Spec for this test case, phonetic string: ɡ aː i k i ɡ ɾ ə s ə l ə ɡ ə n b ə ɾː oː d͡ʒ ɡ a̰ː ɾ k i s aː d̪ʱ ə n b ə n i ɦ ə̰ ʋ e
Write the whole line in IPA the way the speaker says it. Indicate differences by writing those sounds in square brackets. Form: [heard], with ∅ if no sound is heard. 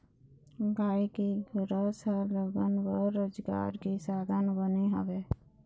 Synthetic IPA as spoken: ɡ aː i k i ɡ ɾ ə s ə l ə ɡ ə n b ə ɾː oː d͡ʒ ɡ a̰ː ɾ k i s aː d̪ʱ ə n b ə n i ɦ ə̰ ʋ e